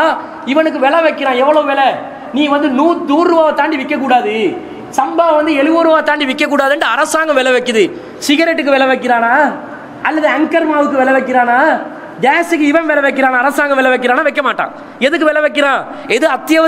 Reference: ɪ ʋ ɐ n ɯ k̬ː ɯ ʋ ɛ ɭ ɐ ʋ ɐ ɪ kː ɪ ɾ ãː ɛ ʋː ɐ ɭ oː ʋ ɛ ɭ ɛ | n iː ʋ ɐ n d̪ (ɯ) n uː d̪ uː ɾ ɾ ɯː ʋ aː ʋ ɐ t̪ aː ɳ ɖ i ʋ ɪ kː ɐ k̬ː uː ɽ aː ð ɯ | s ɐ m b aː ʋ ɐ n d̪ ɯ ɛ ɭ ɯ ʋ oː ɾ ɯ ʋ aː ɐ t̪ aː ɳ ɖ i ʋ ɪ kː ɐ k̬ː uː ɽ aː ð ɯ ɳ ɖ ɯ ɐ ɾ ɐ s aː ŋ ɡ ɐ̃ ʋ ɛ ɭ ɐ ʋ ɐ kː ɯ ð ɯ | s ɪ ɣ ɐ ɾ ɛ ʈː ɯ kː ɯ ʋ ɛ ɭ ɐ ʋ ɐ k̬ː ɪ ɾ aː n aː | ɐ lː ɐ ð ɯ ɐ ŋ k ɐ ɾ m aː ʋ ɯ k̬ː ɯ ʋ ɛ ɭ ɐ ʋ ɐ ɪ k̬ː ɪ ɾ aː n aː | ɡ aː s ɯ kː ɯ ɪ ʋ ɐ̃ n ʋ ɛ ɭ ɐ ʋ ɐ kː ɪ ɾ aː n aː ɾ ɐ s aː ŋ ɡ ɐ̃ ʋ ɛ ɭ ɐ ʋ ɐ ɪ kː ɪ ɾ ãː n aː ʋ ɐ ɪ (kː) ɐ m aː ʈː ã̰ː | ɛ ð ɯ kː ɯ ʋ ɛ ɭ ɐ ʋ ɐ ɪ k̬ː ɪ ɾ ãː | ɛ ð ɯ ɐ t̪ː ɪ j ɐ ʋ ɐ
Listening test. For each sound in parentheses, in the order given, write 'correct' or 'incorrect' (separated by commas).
correct, correct